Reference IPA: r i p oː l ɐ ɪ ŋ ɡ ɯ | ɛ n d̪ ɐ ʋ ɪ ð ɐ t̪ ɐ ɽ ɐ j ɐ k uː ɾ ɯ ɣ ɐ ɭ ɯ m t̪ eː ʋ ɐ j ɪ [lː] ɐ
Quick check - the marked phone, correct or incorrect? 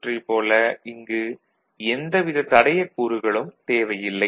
correct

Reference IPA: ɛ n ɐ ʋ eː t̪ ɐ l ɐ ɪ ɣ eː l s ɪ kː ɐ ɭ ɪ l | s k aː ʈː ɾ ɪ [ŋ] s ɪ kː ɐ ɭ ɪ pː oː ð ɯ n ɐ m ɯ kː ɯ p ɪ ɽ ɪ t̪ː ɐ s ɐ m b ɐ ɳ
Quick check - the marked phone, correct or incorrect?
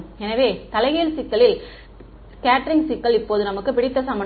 correct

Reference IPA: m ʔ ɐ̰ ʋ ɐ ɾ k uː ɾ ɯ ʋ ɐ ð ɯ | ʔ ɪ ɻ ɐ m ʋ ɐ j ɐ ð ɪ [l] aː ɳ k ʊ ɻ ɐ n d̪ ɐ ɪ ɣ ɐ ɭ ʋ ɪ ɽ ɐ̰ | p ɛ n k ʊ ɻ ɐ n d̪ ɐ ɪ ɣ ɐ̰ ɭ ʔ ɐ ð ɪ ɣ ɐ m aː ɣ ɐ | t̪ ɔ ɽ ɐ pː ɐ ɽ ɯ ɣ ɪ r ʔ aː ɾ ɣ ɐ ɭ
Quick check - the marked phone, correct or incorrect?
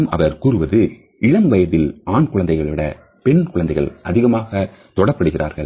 correct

